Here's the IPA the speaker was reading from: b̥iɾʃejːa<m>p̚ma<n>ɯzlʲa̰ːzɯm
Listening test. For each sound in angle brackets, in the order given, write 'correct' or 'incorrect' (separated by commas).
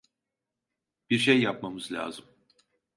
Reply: incorrect, incorrect